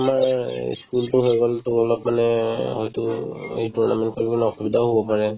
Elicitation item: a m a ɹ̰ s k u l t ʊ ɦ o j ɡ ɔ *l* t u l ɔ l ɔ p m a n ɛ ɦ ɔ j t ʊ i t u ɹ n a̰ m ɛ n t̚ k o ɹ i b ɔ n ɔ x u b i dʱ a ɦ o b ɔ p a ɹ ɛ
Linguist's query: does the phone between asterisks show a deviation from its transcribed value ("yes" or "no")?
no